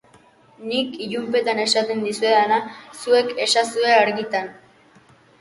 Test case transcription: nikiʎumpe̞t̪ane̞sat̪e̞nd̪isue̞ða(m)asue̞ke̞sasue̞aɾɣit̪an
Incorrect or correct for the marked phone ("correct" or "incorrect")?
incorrect